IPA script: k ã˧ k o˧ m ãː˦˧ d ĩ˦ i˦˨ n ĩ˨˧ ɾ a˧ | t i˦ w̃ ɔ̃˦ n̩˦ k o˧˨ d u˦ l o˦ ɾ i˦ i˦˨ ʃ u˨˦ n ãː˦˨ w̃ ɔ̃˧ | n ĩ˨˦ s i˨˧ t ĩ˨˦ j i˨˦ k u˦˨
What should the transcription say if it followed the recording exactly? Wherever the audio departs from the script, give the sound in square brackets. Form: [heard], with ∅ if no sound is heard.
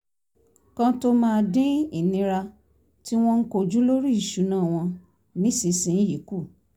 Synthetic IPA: k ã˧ [t] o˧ m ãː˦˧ d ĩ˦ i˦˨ n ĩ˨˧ ɾ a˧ | t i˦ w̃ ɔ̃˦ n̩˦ k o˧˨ [d͡ʒ] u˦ l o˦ ɾ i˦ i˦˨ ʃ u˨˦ n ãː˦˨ w̃ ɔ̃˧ | n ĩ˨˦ s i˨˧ [s] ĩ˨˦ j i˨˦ k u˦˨